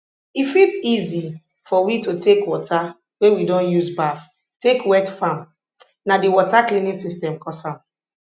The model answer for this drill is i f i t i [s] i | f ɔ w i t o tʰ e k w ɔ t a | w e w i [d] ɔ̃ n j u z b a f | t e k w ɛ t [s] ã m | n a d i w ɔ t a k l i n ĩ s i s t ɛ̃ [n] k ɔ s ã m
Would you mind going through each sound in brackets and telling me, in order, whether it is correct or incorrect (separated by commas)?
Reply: incorrect, correct, incorrect, incorrect